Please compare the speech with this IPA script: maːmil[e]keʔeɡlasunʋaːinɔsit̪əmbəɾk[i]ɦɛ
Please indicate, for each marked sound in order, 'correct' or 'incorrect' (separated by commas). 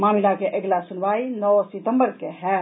incorrect, incorrect